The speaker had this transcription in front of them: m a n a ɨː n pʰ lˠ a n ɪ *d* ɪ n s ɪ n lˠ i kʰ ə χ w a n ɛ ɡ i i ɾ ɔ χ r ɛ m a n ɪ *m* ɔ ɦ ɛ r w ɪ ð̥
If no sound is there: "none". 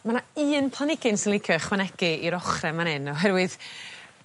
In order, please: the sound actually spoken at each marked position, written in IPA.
ɡ, n

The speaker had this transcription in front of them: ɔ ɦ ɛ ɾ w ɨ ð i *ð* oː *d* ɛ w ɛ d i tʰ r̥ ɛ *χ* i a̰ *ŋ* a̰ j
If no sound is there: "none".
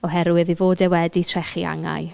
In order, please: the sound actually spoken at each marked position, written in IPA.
v, d, χ, ŋ

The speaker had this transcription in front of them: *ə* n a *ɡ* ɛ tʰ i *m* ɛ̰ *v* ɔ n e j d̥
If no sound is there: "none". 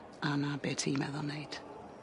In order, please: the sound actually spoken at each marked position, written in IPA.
a, b, m, ð

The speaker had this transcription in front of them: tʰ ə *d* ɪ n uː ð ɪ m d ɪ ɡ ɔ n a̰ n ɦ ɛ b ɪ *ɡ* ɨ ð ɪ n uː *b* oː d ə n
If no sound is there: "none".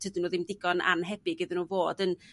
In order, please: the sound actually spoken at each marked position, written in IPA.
d, ɡ, v

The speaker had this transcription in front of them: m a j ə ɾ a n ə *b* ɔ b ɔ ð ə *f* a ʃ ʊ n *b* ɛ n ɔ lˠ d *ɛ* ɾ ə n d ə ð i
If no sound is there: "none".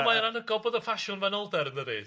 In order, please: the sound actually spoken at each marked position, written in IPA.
ɡ, f, v, ɛ

